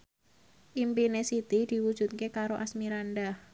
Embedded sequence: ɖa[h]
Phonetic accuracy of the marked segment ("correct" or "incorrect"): correct